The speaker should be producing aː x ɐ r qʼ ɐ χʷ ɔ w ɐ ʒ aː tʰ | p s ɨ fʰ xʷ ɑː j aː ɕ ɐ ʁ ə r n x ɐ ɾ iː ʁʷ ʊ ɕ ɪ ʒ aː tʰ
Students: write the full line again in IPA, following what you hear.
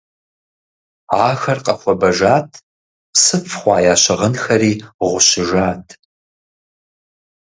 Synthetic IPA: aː x ɐ r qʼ ɐ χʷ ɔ b ɐ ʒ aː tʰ | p s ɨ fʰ χʷ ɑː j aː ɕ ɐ ʁ ə n x ɐ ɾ iː ʁʷ ʊ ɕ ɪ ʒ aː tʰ

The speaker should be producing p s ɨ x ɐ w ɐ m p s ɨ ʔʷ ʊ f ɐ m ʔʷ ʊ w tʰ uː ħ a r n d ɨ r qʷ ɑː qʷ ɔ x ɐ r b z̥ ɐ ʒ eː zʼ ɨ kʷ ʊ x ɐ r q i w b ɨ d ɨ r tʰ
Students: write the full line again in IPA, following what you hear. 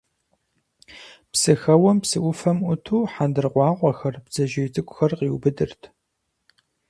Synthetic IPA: p s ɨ x ɐ w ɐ m p s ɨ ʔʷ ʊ f ɐ m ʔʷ ʊ tʰ uː ħ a n d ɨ r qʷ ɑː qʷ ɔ x ɐ r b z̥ ɐ ʒ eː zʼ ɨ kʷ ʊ x ɐ r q i w b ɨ d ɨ r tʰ

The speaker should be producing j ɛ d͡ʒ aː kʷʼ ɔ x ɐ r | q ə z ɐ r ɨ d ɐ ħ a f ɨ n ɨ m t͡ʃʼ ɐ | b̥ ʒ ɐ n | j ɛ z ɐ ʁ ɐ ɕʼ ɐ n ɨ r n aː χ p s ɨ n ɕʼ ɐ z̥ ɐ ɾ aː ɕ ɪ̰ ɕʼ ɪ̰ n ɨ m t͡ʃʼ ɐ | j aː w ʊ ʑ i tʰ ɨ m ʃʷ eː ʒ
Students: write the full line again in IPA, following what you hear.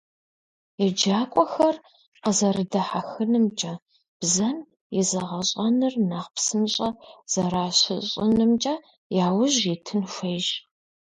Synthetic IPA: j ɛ d͡ʒ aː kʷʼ ɔ x ɐ r | q ə z ɐ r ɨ d ɐ ħ a x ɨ n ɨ m t͡ʃʼ ɐ | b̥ z ɐ n | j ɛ z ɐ ʁ ɐ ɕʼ ɐ n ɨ r n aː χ p s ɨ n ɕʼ ɐ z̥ ɐ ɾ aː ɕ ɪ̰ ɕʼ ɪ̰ n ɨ m t͡ʃʼ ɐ | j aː w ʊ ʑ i tʰ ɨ n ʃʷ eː ʒ

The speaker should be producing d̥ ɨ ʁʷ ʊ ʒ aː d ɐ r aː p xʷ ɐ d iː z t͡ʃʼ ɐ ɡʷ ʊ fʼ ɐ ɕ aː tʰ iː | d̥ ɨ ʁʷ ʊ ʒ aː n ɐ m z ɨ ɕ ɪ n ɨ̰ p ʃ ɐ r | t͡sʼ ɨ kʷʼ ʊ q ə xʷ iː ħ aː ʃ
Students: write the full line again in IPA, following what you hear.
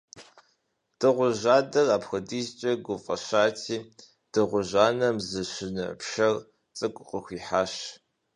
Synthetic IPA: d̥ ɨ ʁʷ ʊ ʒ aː d ɐ r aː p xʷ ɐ d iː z t͡ʃʼ ɐ ɡʷ ʊ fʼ ɐ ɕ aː tʰ iː | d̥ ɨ ʁʷ ʊ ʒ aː n ɐ m z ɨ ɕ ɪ n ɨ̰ p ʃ ɐ r | t͡sʼ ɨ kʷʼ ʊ q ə xʷ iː ħ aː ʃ

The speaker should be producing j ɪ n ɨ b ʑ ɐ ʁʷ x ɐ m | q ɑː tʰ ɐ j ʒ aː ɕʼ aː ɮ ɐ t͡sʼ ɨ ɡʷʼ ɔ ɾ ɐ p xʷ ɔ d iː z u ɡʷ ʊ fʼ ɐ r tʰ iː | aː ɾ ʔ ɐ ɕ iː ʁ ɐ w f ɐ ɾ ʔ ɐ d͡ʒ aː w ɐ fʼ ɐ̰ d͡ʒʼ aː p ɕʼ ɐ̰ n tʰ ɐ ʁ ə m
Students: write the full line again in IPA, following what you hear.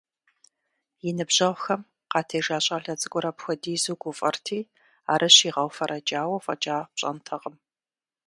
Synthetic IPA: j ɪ n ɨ b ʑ ɐ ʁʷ x ɐ m | q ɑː tʰ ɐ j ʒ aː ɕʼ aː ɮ ɐ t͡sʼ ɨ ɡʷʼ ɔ ɾ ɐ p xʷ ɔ d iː z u ɡʷ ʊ fʼ ɐ r tʰ iː | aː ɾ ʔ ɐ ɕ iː ʁ ɐ w f ɐ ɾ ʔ ɐ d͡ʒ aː w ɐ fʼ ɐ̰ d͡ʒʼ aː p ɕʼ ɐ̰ n tʰ ɐ ʁ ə m

